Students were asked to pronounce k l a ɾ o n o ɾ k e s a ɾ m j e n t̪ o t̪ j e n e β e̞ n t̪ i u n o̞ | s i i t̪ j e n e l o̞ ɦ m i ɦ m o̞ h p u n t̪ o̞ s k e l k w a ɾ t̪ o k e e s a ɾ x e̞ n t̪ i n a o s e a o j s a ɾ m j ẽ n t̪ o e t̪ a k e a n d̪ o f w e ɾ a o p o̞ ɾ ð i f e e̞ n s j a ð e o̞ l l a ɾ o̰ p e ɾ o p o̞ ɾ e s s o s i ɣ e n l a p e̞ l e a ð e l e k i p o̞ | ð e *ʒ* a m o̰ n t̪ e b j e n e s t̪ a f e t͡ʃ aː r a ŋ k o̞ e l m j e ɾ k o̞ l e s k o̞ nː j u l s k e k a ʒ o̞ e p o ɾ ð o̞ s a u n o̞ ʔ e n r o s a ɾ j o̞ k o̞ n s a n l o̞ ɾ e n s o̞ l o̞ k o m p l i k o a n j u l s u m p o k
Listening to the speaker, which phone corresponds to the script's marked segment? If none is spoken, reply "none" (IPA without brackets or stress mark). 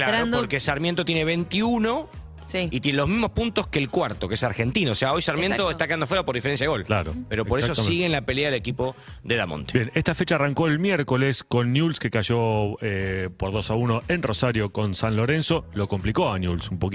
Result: ð